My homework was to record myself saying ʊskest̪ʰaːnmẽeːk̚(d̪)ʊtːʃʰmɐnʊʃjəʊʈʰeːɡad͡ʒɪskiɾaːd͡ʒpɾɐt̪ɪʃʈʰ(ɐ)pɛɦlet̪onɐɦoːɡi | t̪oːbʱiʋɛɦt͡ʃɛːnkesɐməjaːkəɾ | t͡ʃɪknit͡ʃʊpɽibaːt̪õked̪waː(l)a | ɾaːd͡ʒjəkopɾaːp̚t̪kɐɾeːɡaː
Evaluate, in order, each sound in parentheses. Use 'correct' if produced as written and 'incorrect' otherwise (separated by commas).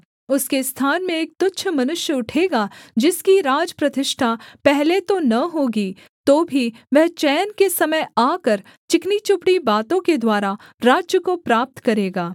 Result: incorrect, incorrect, incorrect